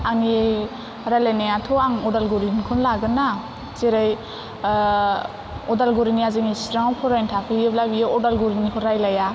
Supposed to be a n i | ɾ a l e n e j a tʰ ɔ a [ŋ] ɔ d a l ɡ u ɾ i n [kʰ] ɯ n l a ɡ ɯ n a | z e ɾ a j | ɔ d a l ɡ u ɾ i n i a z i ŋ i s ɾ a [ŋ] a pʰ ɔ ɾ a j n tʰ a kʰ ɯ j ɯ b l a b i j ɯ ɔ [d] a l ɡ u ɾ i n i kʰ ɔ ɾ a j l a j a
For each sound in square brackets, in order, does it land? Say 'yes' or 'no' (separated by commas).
yes, yes, yes, yes